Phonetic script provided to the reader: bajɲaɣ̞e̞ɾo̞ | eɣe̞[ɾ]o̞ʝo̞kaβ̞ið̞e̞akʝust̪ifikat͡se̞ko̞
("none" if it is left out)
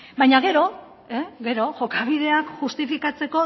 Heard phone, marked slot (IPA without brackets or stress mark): ɾ